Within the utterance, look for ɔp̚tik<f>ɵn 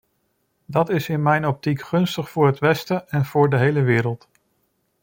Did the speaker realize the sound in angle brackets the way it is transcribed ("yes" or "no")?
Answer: no